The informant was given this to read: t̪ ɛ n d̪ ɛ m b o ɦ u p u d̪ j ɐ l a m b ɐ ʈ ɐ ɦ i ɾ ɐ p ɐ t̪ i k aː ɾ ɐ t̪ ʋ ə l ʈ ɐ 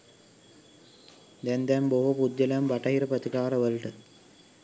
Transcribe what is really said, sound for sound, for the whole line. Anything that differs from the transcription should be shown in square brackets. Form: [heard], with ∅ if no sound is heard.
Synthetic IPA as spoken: [d̪] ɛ n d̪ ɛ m b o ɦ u p u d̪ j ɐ l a m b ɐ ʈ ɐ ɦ i ɾ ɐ p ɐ t̪ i k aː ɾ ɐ [∅] ʋ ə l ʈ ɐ